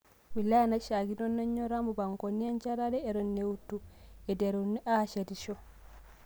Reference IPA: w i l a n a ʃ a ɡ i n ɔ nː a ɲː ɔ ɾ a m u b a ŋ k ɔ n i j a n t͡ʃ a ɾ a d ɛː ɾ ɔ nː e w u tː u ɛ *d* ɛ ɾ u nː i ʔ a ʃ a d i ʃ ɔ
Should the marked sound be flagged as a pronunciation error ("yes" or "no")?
no